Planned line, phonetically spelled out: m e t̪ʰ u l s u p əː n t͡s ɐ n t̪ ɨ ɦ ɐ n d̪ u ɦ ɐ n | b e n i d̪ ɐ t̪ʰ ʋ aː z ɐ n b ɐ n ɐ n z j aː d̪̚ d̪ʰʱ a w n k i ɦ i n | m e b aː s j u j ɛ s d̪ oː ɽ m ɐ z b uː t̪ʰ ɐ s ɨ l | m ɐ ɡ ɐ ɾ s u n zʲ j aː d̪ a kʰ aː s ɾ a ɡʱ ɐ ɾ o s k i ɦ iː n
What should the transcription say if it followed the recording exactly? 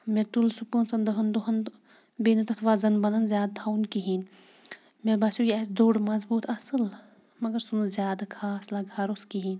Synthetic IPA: m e t̪ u l s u p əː n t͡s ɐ n d̪ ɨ ɦ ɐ n d̪ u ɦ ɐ n | b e n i t̪ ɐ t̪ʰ ʋ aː z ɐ n b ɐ n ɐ n z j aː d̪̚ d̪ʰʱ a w n k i ɦ i n | m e b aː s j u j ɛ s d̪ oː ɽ m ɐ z b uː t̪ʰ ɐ s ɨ l | m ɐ ɡ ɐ ɾ s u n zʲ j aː d̪ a kʰ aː s l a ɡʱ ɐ ɾ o s k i ɦ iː n

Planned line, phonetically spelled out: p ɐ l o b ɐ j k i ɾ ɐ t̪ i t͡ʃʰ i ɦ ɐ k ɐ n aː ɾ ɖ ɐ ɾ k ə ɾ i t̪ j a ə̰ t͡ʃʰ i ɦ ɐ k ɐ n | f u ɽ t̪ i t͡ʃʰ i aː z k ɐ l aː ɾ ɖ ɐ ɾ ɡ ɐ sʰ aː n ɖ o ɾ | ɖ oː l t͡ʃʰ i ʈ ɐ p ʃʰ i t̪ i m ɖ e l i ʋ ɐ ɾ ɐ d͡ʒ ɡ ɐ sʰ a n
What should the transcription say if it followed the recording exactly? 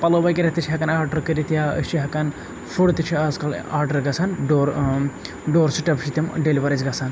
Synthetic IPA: p ɐ l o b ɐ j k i ɾ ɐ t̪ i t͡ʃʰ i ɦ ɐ k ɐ n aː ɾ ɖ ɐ ɾ k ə ɾ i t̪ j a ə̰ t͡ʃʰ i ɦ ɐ k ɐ n | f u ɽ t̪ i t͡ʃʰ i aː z k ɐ l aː ɾ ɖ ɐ ɾ ɡ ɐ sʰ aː n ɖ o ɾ | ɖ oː ɾ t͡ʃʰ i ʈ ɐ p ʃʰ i t̪ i m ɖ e l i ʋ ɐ ɾ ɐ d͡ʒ ɡ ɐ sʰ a n

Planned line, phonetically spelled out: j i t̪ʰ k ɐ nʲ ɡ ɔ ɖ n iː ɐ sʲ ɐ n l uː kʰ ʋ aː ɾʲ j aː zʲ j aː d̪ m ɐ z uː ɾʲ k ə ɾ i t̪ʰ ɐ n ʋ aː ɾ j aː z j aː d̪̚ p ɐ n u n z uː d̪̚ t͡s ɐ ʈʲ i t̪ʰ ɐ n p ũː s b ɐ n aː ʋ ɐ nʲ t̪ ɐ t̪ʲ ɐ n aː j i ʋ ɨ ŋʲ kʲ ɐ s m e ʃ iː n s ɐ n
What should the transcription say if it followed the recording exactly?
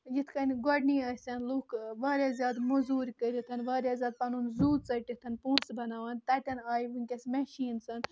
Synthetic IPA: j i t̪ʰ k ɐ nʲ ɡ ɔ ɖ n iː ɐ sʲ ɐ n l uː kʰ ʋ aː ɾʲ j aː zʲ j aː d̪ m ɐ z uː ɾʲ k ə ɾ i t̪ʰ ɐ n ʋ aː ɾ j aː z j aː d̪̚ p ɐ n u n z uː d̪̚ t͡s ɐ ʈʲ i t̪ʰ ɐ n p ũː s b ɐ n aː ʋ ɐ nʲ t̪ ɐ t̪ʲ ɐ n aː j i ʋ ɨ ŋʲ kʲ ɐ s m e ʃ iː n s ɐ n

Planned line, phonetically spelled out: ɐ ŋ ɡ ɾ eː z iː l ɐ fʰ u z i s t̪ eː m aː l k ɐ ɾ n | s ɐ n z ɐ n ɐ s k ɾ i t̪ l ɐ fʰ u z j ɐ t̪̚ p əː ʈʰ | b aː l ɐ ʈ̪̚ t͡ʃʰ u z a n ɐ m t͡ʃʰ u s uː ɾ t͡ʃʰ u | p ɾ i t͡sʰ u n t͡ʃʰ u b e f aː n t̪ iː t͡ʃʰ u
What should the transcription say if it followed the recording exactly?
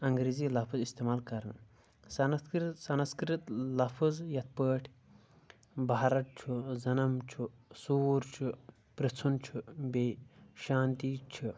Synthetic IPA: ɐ ŋ ɡ ɾ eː z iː l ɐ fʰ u z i s t̪ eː m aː l k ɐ ɾ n | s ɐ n s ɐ n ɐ s k ɾ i t̪ l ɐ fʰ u z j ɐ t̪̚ p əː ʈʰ | b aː ɾ ɐ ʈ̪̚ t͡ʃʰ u z ɐ n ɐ m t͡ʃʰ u s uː ɾ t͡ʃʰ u | p ɾ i t͡sʰ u n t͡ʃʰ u b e ʃ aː n t̪ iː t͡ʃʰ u

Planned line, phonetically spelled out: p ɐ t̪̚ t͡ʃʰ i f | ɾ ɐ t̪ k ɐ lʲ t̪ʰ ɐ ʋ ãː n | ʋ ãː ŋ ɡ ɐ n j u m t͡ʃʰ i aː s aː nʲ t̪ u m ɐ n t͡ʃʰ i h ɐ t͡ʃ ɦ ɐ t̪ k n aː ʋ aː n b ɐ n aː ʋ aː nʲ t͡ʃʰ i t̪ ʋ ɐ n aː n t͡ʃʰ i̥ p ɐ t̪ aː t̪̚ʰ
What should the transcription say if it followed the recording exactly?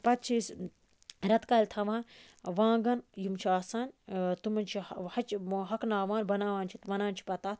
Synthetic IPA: p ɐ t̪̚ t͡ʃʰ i s | ɾ ɐ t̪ k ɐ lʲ t̪ʰ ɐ ʋ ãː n | ʋ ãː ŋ ɡ ɐ n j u m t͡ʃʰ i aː s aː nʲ t̪ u m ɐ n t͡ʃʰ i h ɐ t͡ʃ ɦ ɐ k n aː ʋ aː n b ɐ n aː ʋ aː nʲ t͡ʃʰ i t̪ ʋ ɐ n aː n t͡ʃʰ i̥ p ɐ t̪ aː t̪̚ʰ

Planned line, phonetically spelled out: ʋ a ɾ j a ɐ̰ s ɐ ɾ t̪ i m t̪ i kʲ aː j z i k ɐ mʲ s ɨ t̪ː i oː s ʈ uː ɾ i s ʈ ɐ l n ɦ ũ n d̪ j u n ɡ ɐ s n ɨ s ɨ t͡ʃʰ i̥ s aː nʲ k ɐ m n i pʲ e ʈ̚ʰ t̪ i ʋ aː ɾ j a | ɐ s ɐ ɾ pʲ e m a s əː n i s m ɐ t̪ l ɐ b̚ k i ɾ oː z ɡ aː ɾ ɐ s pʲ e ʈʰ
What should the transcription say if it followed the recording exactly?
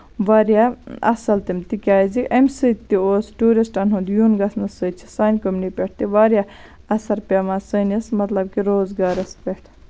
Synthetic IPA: ʋ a ɾ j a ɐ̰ s ɐ l t̪ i m t̪ i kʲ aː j z i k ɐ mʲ s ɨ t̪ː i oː s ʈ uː ɾ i s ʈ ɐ n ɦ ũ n d̪ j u n ɡ ɐ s n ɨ s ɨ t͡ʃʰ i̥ s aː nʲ k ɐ m n i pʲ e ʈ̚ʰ t̪ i ʋ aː ɾ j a | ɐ s ɐ ɾ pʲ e m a s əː n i s m ɐ t̪ l ɐ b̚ k i ɾ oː z ɡ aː ɾ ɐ s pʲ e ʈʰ

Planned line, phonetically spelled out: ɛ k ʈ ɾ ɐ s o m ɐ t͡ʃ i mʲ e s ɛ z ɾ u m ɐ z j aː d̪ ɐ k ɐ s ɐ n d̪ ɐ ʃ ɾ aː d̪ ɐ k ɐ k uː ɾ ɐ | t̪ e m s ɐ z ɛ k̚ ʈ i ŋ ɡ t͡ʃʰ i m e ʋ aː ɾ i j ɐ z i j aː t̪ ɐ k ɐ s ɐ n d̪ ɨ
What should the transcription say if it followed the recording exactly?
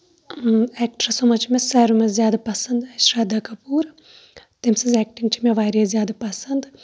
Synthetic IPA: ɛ k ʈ ɾ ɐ s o m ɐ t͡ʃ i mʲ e s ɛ ɾ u m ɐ z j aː d̪ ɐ p ɐ s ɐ n d̪ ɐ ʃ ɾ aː d̪ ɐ k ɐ p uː ɾ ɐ | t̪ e m s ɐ z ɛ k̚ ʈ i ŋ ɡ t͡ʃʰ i m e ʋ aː ɾ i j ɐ z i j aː d̪ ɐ p ɐ s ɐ n d̪ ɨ

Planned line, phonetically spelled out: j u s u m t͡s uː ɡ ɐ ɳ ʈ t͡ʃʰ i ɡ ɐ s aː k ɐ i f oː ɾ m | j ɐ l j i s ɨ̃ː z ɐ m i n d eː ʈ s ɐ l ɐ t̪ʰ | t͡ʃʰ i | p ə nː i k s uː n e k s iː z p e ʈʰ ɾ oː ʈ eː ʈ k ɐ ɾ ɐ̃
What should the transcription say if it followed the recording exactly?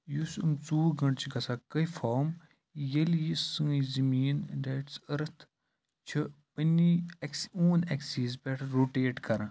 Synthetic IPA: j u s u m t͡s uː ɡ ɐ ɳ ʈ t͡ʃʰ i ɡ ɐ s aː k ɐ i f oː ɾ m | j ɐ l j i s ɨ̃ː z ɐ m iː n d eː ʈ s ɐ ɾ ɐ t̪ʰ | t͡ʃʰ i | p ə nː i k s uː n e k s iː z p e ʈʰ ɾ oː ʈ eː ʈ k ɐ ɾ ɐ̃

